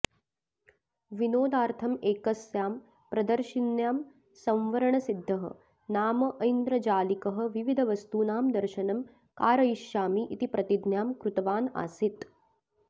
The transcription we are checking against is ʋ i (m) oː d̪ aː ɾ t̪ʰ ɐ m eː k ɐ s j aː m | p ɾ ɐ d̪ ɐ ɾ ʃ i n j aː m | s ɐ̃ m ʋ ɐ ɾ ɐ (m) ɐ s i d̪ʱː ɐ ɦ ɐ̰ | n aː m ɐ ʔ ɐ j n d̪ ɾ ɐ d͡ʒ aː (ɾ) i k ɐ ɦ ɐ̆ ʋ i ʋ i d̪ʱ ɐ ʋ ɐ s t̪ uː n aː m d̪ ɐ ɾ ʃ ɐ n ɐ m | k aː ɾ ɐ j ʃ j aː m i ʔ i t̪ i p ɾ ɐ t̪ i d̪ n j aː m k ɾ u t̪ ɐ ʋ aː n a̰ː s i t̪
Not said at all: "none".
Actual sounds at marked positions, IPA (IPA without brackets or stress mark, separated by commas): n, ɳ, l